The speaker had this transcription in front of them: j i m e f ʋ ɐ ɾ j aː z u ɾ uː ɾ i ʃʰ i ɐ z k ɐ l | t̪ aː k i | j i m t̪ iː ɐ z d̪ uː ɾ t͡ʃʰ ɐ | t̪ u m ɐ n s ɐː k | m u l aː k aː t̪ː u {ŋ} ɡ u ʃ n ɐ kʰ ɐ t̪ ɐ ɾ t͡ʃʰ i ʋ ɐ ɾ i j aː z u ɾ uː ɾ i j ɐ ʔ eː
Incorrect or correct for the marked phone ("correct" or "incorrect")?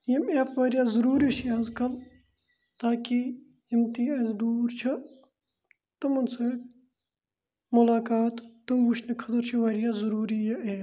incorrect